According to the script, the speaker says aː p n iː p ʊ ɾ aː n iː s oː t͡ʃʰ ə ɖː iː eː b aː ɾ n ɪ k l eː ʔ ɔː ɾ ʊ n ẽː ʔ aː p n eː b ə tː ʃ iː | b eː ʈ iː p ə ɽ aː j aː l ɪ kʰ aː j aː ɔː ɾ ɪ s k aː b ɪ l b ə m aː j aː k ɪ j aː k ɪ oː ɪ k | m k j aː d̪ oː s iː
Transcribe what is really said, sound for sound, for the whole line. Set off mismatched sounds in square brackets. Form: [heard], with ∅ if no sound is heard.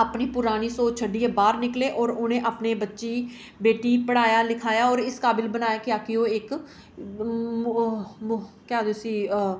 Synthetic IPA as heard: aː p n iː p ʊ ɾ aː n iː s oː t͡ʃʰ ə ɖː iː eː b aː ɾ n ɪ k l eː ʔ ɔː ɾ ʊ n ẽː ʔ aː p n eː b ə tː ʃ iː | b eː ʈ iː p ə ɽ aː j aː l ɪ kʰ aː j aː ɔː ɾ ɪ s k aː b ɪ l b ə [n] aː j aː k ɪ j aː k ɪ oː ɪ k | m k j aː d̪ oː s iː